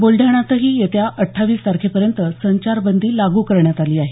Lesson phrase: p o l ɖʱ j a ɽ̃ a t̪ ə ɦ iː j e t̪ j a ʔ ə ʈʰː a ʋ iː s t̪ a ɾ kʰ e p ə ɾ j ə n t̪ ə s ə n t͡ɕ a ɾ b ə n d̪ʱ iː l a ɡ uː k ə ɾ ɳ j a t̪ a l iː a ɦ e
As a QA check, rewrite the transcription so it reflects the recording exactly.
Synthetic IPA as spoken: b o l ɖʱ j a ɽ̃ a t̪ ə ɦ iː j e t̪ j a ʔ ə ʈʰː a ʋ iː s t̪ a ɾ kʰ e p ə ɾ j ə n t̪ ə s ə ɲ t͡ɕ a ɾ b ə n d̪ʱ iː l a ɡ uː k ə ɾ ɳ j a t̪ a l iː a ɦ e